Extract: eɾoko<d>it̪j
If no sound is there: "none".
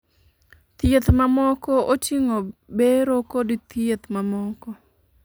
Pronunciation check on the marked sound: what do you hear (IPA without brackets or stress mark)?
d